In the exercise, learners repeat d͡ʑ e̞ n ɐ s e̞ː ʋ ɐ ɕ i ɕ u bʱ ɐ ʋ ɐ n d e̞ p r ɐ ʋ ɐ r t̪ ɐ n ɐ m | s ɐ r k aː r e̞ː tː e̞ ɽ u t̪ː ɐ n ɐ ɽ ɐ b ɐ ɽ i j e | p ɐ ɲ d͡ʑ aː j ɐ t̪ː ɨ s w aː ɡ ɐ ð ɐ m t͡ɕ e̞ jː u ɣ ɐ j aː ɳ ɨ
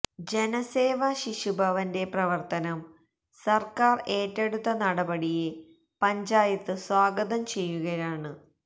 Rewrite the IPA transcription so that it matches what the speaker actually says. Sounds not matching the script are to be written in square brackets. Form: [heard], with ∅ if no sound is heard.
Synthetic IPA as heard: d͡ʑ e̞ n ɐ s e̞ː ʋ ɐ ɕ i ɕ u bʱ ɐ ʋ ɐ n d e̞ p r ɐ ʋ ɐ r t̪ ɐ n ɐ m | s ɐ r k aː r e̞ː tː e̞ ɽ u t̪ː ɐ n ɐ ɽ ɐ b ɐ ɽ i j e | p ɐ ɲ d͡ʑ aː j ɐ t̪ː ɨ s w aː ɡ ɐ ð ɐ m t͡ɕ e̞ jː u ɣ ɐ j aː ɳ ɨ

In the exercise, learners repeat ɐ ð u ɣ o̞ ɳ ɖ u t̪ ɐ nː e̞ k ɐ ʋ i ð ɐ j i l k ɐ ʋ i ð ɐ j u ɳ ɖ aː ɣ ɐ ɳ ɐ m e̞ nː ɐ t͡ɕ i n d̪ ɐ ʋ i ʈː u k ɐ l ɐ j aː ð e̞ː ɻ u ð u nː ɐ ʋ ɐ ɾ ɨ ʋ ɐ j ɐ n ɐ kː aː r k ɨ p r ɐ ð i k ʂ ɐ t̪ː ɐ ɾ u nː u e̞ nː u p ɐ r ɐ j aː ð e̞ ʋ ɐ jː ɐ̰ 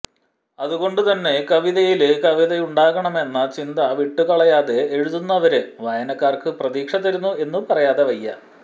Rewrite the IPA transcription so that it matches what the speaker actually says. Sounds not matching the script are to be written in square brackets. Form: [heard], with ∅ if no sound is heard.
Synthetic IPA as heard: ɐ ð u ɣ o̞ ɳ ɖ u t̪ ɐ nː e̞ k ɐ ʋ i ð ɐ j i l k ɐ ʋ i ð ɐ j u ɳ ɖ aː ɣ ɐ ɳ ɐ m e̞ nː ɐ t͡ɕ i n d̪ ɐ ʋ i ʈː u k ɐ [ɭ] ɐ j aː ð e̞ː ɻ u ð u nː ɐ ʋ ɐ ɾ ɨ ʋ ɐ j ɐ n ɐ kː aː r k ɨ p r ɐ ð [iː] k ʂ ɐ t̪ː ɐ ɾ u nː u e̞ nː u p ɐ r ɐ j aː ð e̞ ʋ ɐ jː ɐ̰

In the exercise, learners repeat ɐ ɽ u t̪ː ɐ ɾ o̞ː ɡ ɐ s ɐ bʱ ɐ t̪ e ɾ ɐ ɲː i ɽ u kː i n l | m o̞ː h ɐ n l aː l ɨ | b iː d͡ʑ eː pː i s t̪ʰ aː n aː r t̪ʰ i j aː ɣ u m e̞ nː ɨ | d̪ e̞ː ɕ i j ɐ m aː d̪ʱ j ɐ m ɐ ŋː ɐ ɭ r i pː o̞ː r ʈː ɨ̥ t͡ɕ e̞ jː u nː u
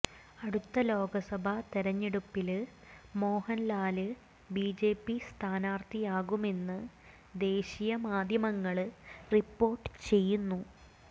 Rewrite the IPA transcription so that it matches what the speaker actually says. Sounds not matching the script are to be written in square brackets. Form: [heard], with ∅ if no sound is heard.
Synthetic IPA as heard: ɐ ɽ u t̪ː ɐ [l] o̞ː ɡ ɐ s ɐ bʱ ɐ t̪ e ɾ ɐ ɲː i ɽ u [pː] i [∅] l | m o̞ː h ɐ n l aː l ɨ | b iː d͡ʑ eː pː i s t̪ʰ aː n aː r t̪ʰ i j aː ɣ u m e̞ nː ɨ | d̪ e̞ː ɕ i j ɐ m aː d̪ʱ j ɐ m ɐ ŋː ɐ ɭ r i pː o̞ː r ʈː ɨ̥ t͡ɕ e̞ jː u nː u

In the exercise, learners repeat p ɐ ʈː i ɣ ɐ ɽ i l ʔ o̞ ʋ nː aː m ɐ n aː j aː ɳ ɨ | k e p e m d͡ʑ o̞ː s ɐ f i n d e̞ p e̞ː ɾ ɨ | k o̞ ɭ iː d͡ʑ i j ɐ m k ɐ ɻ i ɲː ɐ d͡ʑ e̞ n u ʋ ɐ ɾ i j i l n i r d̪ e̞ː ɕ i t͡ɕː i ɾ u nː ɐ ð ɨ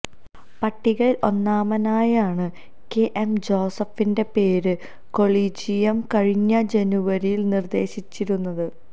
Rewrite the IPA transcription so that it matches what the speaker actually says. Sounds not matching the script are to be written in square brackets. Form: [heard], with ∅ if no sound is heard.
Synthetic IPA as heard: p ɐ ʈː i ɣ ɐ [ɭ] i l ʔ o̞ [∅] nː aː m ɐ n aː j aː ɳ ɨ | k e [ʔ] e m d͡ʑ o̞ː s ɐ f i n d e̞ p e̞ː ɾ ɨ | k o̞ ɭ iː d͡ʑ i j ɐ m k ɐ ɻ i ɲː ɐ d͡ʑ e̞ n u ʋ ɐ ɾ i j i l n i r d̪ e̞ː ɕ i t͡ɕː i ɾ u nː ɐ ð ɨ

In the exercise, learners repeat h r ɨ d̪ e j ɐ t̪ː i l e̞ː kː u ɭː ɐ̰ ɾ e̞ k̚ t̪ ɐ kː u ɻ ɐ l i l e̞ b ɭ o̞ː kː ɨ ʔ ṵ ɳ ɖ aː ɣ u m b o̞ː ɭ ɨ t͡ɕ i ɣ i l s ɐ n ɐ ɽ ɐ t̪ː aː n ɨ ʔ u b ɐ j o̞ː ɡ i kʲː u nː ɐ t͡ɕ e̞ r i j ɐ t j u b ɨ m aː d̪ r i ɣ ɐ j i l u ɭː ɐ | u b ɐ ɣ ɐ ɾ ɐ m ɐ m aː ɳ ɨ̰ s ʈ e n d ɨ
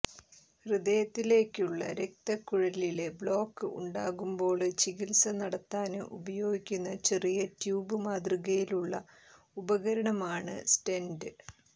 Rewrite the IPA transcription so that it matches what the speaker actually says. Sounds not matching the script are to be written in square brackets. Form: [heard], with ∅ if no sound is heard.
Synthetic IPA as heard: h r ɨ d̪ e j ɐ t̪ː i l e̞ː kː u ɭː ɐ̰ ɾ e̞ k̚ t̪ ɐ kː u ɻ ɐ l i l e̞ b ɭ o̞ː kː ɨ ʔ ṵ ɳ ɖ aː ɣ u m b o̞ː ɭ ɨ t͡ɕ i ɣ i l s ɐ n ɐ ɽ ɐ t̪ː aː n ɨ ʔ u b ɐ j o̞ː ɡ i kʲː u nː ɐ t͡ɕ e̞ r i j ɐ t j [uː] b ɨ m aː d̪ r i ɣ ɐ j i l u ɭː ɐ | u b ɐ ɣ ɐ ɾ ɐ [ɳ] ɐ m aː ɳ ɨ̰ s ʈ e n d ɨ

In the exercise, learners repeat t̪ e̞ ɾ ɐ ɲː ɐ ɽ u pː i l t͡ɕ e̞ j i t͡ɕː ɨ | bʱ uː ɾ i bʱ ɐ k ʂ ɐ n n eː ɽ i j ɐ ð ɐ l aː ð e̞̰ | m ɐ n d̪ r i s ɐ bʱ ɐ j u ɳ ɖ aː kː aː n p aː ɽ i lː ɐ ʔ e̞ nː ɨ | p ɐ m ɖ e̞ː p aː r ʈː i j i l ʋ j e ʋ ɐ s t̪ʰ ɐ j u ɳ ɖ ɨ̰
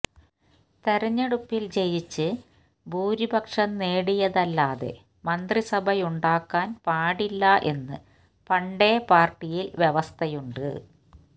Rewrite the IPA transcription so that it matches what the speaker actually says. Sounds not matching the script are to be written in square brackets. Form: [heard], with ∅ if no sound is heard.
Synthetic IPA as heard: t̪ e̞ ɾ ɐ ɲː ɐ ɽ u pː i l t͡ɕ e̞ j i t͡ɕː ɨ | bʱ uː ɾ i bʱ ɐ k ʂ ɐ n n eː ɽ i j ɐ ð ɐ [lː] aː ð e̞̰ | m ɐ n d̪ r i s ɐ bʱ ɐ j u ɳ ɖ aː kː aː n p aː ɽ i lː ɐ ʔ e̞ nː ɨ | p ɐ [ɳ] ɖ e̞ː p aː r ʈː i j i l ʋ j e ʋ ɐ s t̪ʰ ɐ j u ɳ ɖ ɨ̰

